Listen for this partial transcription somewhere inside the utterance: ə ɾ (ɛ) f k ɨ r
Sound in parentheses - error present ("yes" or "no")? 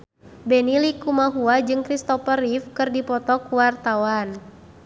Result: yes